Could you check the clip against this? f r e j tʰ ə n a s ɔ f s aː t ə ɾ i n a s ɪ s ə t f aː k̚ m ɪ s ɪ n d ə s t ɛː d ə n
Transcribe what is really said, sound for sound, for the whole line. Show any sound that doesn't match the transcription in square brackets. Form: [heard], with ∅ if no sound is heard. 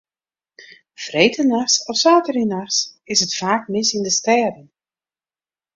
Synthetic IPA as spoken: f r e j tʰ ə n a s ɔ f s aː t ə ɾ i n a s ɪ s ə t f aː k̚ m ɪ s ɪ n d ə s t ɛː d ə n